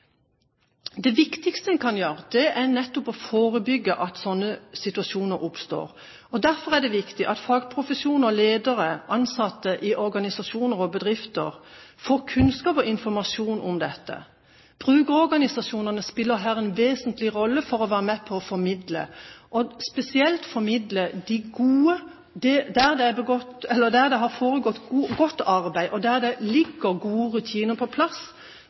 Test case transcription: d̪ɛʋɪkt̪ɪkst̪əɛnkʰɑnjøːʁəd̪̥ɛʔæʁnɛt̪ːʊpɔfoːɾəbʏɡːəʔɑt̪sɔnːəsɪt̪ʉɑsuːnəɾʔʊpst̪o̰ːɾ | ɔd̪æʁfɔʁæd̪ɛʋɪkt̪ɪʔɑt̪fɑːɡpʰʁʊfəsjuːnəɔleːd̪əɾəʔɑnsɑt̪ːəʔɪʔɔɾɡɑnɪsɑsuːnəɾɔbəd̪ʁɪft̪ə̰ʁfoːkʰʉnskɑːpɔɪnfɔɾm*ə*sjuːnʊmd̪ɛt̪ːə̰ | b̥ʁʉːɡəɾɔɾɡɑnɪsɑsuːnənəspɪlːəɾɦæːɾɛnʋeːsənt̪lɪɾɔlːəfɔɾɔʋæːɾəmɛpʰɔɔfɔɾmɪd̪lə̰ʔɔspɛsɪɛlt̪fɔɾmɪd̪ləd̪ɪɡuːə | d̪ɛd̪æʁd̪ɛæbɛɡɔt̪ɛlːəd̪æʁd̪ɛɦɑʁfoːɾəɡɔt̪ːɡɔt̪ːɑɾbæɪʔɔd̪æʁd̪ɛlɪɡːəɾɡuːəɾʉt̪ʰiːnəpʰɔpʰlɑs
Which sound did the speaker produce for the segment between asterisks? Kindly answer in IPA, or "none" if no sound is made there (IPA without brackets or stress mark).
ɑ